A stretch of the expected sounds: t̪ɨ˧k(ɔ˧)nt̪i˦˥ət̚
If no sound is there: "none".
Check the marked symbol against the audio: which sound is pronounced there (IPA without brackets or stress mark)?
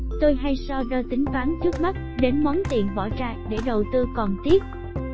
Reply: ɔ˨˩